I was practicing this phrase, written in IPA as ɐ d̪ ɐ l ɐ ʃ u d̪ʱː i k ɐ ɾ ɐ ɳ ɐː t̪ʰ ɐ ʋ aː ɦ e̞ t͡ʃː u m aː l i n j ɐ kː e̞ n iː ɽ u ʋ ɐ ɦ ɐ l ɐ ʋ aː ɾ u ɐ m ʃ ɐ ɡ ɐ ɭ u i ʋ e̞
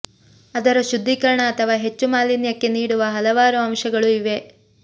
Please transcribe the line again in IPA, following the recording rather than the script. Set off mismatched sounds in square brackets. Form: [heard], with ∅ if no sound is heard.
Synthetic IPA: ɐ d̪ ɐ [ɾ] ɐ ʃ u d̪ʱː i k ɐ ɾ ɐ ɳ ɐː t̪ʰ ɐ ʋ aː ɦ e̞ t͡ʃː u m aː l i n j ɐ kː e̞ n iː ɽ u ʋ ɐ ɦ ɐ l ɐ ʋ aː ɾ u ɐ m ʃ ɐ ɡ ɐ ɭ u i ʋ e̞